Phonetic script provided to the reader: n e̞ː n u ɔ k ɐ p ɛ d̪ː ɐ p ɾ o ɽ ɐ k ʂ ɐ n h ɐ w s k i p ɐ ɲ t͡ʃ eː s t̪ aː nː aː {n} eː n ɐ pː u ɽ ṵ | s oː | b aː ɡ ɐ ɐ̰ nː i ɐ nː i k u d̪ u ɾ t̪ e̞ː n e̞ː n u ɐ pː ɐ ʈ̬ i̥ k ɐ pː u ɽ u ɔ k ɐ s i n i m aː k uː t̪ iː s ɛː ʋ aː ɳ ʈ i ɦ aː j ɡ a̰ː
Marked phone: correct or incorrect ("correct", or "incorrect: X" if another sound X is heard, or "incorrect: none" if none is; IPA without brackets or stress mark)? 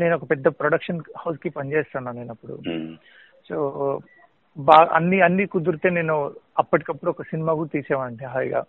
correct